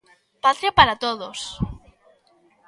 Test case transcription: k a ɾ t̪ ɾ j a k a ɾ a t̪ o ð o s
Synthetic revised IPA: p a t̪ ɾ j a p a ɾ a t̪ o ð o s